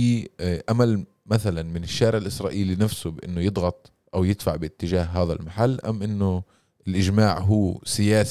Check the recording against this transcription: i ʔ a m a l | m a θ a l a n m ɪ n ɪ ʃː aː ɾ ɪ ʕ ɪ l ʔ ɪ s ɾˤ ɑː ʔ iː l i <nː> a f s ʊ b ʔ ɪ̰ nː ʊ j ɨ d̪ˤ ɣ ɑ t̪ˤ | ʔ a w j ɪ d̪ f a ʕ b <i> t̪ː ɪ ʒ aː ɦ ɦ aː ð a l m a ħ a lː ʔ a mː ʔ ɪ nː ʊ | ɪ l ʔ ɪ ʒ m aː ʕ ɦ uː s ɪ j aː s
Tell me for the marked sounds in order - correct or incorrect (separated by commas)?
incorrect, incorrect